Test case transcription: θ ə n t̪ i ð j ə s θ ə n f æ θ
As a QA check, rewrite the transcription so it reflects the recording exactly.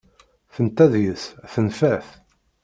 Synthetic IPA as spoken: θ ə n t̪ æ ð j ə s θ ə n f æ θ